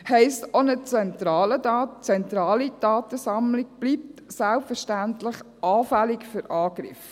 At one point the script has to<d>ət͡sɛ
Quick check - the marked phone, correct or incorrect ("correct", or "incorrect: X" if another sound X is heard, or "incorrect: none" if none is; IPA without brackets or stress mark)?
incorrect: n